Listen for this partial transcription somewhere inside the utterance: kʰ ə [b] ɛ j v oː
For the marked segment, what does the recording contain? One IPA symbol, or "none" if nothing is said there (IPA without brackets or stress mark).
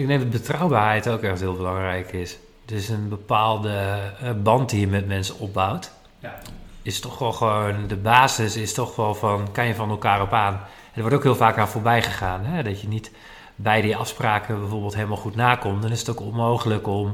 b